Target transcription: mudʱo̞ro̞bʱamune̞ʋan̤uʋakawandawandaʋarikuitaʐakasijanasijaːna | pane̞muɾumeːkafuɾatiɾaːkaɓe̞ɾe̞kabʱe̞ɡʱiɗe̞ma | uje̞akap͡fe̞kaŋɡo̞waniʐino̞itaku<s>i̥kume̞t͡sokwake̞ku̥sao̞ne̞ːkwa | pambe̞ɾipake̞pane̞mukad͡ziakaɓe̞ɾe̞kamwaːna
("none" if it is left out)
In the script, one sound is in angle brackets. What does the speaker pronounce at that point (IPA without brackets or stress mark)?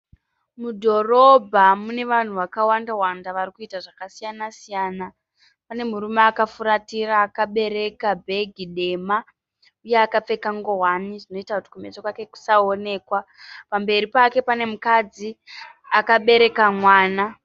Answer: t